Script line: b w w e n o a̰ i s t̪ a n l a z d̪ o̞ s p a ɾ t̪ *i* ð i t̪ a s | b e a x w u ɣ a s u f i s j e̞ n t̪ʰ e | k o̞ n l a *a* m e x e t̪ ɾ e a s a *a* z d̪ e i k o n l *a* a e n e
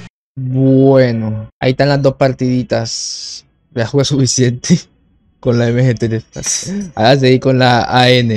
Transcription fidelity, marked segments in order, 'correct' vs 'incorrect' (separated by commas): correct, incorrect, correct, correct